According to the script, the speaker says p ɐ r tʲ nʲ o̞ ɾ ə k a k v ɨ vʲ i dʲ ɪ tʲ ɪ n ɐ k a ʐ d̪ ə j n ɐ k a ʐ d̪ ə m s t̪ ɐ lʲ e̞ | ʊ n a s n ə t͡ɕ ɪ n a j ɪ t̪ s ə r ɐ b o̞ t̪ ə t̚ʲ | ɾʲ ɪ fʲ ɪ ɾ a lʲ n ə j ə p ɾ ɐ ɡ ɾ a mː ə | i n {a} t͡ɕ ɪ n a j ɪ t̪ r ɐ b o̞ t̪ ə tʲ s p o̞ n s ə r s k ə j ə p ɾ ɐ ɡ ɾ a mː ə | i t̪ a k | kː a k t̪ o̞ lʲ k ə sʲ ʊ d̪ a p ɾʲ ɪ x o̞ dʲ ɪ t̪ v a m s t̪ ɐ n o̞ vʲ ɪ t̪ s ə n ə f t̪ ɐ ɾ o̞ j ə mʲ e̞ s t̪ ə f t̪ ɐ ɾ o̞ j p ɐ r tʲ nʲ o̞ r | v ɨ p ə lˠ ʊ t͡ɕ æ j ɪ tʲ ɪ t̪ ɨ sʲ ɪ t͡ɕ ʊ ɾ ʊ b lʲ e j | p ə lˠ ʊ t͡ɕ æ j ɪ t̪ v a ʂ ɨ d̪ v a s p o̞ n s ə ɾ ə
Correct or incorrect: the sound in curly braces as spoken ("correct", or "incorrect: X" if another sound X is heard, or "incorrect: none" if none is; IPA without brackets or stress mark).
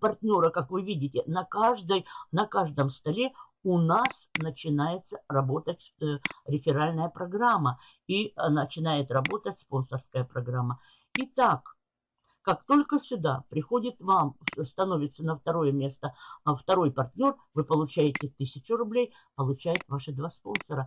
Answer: incorrect: ə